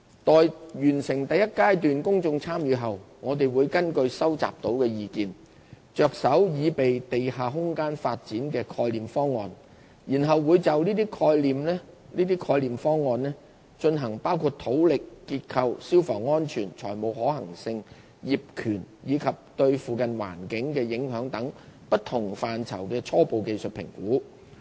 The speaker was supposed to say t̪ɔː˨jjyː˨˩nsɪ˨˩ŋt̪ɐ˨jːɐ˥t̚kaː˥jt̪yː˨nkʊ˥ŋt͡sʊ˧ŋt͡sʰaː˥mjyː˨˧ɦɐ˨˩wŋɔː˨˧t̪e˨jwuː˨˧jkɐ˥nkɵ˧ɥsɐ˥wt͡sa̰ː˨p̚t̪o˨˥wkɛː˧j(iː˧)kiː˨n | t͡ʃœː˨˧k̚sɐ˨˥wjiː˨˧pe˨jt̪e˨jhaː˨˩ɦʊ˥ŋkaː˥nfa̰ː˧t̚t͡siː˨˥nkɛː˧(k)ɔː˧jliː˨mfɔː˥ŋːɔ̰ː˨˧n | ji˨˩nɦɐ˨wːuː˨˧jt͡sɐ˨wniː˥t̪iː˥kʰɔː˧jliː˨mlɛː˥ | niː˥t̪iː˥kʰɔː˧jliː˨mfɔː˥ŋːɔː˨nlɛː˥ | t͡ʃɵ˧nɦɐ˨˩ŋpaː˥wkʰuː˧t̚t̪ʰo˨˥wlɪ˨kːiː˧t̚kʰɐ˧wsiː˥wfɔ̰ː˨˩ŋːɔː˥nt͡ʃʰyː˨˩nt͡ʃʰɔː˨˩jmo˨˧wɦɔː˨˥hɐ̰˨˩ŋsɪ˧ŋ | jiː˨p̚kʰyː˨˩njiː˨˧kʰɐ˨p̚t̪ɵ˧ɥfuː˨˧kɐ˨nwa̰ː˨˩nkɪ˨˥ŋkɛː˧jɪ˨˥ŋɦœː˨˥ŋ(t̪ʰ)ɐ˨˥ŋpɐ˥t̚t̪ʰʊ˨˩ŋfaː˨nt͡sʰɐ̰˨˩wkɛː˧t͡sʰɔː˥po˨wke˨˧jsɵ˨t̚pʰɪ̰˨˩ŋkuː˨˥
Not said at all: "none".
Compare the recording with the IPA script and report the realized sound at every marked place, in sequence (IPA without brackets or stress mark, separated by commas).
iː˧, kʰ, t̪